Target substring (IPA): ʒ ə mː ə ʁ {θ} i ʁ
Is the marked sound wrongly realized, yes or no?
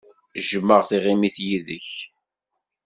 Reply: no